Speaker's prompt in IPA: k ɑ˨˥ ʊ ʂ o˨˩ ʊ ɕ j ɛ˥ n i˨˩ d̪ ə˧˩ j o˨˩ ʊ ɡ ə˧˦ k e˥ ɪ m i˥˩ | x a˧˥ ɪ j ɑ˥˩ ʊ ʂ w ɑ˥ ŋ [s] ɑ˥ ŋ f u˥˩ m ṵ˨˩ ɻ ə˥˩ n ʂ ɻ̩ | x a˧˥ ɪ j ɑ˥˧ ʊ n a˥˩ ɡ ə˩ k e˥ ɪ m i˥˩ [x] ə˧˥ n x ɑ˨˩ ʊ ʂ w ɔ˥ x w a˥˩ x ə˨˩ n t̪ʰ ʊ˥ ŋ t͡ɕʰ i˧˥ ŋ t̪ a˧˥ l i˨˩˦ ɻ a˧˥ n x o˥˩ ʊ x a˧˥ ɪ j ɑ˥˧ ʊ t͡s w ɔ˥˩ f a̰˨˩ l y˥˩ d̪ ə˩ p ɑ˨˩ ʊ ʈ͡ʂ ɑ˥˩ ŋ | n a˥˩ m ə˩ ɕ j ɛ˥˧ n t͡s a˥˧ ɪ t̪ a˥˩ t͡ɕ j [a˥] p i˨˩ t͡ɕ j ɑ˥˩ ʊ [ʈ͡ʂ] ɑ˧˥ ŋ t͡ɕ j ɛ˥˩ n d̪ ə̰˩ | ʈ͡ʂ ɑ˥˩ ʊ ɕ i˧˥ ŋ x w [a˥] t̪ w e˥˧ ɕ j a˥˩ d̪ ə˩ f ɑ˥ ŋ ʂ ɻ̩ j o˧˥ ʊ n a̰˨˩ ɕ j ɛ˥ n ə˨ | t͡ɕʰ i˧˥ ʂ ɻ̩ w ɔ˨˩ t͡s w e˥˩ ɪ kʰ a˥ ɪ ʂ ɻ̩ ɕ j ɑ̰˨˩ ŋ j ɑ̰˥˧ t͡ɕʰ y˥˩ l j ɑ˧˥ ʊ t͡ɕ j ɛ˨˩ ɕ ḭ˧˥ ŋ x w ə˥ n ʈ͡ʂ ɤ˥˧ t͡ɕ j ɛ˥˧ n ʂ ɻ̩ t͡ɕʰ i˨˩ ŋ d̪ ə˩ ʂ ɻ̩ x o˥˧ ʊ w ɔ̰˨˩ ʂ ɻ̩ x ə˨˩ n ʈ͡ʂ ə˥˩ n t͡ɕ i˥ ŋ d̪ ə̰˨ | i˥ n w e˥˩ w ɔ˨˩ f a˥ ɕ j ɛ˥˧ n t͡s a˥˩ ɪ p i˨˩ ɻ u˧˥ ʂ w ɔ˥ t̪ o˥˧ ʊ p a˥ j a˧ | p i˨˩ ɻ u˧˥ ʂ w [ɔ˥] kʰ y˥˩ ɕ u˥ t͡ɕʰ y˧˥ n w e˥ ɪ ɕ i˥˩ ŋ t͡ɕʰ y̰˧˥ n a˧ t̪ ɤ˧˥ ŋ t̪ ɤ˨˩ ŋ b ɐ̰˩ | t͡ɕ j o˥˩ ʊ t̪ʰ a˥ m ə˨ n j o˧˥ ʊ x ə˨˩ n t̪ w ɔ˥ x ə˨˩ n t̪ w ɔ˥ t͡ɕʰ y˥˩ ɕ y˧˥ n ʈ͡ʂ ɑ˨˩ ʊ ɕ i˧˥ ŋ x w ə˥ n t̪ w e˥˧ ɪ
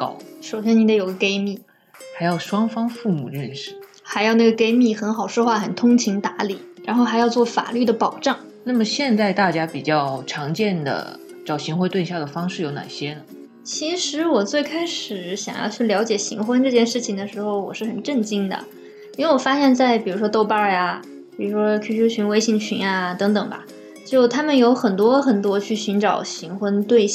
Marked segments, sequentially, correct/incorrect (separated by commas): incorrect, correct, correct, incorrect, incorrect, correct